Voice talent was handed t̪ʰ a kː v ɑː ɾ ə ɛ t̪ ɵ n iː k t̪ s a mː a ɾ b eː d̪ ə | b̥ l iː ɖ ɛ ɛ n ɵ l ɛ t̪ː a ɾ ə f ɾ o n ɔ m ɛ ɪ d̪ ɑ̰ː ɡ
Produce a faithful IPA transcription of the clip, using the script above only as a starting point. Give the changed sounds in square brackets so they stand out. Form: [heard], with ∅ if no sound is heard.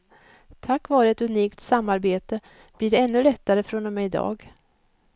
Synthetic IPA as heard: t̪ʰ a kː v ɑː ɾ ə ɛ t̪ ɵ n iː k t̪ s a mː a ɾ b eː [t̪] ə | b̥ l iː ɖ ɛ ɛ [nː] ɵ l ɛ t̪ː a ɾ ə f ɾ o n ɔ m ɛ ɪ d̪ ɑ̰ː ɡ

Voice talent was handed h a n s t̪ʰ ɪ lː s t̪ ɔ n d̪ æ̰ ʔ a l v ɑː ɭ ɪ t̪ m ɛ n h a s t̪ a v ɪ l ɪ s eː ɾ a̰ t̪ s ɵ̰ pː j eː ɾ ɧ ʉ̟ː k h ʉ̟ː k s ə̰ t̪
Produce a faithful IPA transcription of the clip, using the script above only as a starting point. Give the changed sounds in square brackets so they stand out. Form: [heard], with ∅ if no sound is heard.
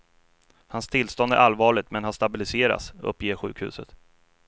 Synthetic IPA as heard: h a n s t̪ʰ ɪ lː s t̪ ɔ n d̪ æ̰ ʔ a l v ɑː ɭ ɪ t̪ m ɛ n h a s t̪ a [b] ɪ l ɪ s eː ɾ a̰ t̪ s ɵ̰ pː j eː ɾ ɧ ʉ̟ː k h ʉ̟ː [∅] s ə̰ t̪

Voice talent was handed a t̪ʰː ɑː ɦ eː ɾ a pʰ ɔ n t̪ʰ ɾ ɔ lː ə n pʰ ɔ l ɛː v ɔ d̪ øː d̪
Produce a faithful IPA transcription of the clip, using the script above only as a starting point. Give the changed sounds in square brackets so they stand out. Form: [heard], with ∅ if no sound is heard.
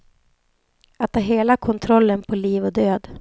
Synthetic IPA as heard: a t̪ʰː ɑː ɦ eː [l] a [kʰ] ɔ n t̪ʰ ɾ ɔ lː ə n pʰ ɔ l [iː] v ɔ d̪ øː d̪

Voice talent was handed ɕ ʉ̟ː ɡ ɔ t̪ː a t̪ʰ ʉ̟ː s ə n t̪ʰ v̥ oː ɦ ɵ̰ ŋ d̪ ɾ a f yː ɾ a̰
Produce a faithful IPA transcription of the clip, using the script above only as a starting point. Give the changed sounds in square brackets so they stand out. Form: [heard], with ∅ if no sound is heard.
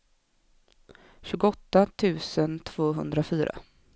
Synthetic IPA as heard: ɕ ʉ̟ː ɡ ɔ t̪ː a t̪ʰ ʉ̟ː s ə n t̪ʰ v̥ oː ɦ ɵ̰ [n] d̪ ɾ a f yː ɾ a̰

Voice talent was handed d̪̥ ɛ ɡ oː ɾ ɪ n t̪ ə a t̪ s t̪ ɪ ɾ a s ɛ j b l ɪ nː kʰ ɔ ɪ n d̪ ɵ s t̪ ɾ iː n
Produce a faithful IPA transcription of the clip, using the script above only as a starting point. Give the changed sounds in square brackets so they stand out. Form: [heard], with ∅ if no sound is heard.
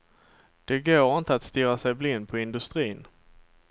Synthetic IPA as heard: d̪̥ ɛ ɡ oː ɾ ɪ n t̪ ə a t̪ s t̪ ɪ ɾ a s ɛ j b l ɪ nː [pʰ] ɔ ɪ n d̪ ɵ s t̪ ɾ iː n

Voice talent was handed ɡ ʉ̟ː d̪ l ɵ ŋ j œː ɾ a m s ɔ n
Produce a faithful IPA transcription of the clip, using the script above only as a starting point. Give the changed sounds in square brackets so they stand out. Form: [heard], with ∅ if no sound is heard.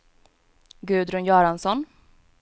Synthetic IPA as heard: ɡ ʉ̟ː d̪ [ɾ] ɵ [n] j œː ɾ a [n] s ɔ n

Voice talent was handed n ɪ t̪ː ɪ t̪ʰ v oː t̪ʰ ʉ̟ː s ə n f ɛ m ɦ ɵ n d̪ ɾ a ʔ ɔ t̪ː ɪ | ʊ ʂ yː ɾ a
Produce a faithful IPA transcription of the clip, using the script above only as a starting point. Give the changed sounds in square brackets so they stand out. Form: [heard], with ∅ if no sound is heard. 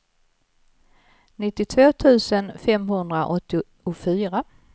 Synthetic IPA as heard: n ɪ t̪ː ɪ t̪ʰ v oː t̪ʰ ʉ̟ː s ə n f ɛ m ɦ ɵ n d̪ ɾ a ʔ ɔ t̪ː ɪ | ʊ [f] yː ɾ a

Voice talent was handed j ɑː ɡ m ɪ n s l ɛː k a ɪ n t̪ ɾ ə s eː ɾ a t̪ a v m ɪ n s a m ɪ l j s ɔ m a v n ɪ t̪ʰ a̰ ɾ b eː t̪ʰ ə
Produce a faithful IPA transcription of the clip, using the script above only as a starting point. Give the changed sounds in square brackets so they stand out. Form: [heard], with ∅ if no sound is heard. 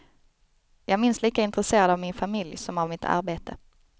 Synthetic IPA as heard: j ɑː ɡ m ɪ n s l [iː] k a ɪ n t̪ ɾ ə s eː ɾ a [d̪] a v m ɪ n [f] a m ɪ l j s ɔ m a v [m] ɪ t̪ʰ a̰ ɾ b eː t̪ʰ ə

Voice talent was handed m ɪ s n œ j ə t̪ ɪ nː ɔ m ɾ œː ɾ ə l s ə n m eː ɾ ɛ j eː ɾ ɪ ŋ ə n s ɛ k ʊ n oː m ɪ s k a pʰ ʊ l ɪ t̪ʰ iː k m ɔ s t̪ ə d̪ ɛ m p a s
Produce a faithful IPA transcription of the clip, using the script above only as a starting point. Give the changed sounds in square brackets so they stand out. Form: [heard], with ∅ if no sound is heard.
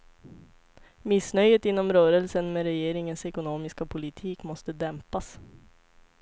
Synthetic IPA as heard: m ɪ s n œ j ə t̪ ɪ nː ɔ m ɾ œː ɾ ə l s ə n m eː ɾ ɛ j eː ɾ ɪ ŋ ə n s ɛ k ʊ n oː m ɪ s k a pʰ ʊ l ɪ t̪ʰ iː k m ɔ s t̪ ə d̪ ɛ m p a s

